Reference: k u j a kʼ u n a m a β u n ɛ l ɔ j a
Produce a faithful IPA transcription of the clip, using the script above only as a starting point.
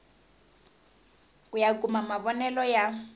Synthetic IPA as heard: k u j a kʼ u m a m a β ɔ n ɛ l ɔ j a